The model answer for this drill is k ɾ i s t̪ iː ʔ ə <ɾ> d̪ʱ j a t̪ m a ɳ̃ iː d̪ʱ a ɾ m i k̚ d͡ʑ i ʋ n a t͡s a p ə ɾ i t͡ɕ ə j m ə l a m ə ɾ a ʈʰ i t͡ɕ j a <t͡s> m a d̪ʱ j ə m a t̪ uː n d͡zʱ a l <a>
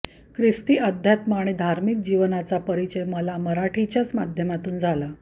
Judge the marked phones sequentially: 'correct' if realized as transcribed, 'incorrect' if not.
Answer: incorrect, correct, correct

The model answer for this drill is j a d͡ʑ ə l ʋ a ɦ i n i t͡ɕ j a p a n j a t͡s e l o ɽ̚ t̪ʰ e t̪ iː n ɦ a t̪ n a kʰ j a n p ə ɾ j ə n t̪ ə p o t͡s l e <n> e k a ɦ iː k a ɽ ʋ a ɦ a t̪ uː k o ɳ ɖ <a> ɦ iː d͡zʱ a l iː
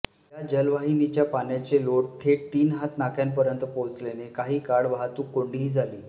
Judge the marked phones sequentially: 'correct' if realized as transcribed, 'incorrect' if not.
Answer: correct, incorrect

